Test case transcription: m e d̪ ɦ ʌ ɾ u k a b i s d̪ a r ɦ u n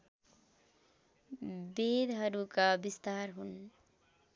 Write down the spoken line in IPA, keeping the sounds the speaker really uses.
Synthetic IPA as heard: b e d̪ ɦ ʌ ɾ u k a b i s t̪ a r ɦ u n